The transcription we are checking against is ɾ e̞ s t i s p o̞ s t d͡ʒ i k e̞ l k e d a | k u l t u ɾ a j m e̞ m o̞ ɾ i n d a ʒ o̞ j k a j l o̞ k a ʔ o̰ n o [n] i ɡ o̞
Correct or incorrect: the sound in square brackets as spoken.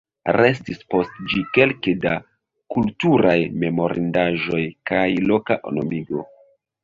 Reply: incorrect: m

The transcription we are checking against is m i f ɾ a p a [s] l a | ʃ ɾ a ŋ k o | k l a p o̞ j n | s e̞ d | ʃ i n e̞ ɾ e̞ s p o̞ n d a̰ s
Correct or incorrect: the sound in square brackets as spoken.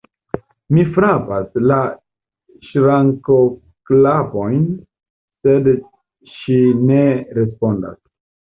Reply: correct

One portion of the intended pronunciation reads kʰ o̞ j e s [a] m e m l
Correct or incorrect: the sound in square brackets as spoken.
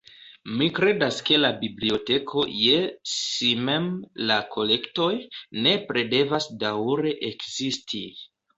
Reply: incorrect: i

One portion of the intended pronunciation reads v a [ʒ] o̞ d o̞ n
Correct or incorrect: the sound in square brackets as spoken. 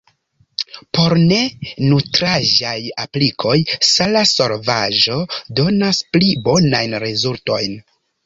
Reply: correct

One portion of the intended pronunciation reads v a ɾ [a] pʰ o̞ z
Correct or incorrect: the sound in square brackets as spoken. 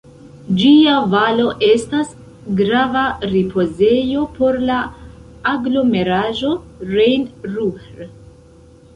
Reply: incorrect: i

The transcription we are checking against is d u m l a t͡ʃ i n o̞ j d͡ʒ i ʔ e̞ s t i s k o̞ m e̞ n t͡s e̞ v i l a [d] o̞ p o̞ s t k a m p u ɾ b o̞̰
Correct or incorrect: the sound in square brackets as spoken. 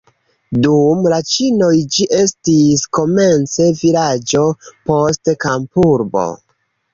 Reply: incorrect: d͡ʒ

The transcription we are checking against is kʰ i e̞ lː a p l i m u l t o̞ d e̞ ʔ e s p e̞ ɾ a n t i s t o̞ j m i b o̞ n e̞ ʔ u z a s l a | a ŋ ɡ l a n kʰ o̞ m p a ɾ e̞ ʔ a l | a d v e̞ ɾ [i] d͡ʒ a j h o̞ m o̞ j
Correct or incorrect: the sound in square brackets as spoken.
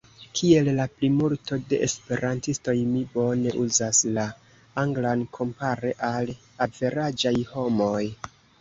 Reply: incorrect: a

